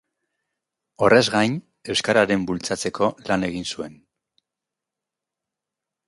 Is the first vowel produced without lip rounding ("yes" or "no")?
no